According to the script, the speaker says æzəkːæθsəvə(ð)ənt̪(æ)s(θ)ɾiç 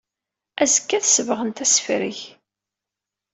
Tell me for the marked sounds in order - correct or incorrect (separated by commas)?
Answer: incorrect, correct, incorrect